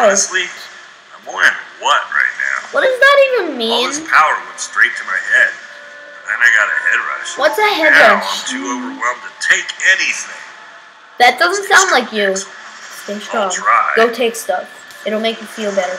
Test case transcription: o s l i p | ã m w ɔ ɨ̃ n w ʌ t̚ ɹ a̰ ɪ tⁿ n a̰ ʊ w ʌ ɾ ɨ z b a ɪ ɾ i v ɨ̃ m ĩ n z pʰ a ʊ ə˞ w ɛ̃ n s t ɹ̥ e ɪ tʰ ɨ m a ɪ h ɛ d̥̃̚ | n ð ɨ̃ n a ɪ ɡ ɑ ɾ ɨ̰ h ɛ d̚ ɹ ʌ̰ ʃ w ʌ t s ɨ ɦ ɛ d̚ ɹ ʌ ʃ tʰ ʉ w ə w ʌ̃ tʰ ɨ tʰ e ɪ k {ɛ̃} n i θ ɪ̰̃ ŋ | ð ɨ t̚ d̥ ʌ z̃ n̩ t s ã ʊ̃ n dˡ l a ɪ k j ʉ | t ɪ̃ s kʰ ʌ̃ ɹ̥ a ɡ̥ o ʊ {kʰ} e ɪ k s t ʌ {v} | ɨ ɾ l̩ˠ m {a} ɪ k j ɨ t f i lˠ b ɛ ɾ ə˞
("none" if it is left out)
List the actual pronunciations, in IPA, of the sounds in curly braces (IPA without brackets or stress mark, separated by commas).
ɛ, tʰ, f, e